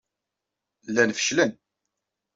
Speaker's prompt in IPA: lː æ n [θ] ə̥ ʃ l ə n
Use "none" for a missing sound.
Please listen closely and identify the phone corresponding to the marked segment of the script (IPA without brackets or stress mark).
f